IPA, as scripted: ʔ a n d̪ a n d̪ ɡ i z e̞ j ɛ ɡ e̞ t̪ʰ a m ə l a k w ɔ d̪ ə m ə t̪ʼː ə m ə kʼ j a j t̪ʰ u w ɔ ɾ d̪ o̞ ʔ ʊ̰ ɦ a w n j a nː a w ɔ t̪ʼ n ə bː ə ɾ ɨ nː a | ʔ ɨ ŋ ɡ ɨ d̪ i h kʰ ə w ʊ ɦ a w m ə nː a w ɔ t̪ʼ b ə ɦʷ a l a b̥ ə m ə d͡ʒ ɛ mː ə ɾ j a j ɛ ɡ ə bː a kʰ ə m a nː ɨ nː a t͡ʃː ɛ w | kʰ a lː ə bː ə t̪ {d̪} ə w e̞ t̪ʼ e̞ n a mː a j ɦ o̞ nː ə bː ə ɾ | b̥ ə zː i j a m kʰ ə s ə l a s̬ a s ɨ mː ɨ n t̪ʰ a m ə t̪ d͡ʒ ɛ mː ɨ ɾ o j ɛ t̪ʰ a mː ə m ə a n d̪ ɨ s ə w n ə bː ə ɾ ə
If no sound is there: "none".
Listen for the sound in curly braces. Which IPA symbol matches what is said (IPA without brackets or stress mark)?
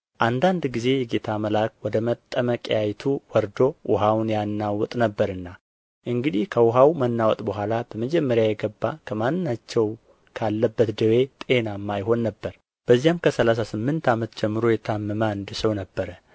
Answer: d̪